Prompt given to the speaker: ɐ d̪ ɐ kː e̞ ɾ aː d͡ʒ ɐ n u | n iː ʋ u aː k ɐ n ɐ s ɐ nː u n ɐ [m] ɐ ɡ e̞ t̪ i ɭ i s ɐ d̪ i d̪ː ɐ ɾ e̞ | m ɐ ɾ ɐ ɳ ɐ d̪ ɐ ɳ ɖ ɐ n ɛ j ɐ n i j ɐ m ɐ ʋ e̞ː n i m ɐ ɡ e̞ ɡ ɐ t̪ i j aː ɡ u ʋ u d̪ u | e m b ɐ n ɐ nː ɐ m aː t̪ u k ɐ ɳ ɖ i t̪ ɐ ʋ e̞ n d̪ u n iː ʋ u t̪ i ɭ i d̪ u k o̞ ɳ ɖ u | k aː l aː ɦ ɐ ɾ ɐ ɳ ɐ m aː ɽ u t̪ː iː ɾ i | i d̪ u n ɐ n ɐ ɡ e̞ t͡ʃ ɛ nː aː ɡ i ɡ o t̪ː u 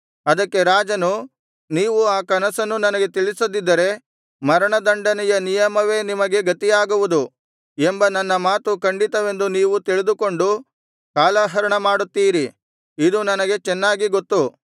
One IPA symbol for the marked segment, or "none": n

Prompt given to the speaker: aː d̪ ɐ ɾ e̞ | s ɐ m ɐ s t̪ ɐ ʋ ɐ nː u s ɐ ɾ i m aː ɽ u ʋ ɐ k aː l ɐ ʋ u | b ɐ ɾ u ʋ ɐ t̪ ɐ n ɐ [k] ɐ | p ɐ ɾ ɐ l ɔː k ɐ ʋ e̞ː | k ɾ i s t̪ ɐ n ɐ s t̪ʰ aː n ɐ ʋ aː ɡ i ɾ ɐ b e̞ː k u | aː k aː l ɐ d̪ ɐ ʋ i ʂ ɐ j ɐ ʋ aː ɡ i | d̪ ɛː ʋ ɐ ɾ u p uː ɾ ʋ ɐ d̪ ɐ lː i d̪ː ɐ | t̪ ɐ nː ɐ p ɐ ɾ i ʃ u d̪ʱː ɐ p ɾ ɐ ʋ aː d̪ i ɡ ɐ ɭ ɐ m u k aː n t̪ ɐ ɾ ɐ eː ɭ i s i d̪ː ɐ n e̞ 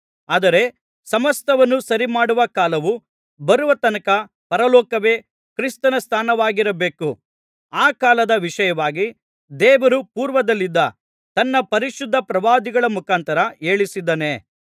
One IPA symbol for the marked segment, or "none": k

